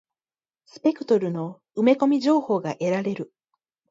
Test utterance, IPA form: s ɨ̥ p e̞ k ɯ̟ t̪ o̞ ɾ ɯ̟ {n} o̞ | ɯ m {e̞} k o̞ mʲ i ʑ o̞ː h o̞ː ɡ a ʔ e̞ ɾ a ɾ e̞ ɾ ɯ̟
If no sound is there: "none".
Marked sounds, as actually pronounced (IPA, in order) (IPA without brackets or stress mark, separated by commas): n, e̞